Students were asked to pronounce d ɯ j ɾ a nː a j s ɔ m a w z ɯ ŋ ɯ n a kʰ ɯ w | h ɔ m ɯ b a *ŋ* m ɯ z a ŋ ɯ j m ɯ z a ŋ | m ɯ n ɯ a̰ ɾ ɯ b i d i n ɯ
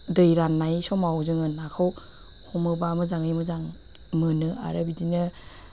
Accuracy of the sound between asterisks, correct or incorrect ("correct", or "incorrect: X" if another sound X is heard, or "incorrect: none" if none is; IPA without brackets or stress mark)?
incorrect: none